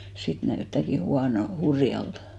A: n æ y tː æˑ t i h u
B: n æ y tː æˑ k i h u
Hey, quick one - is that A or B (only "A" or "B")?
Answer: B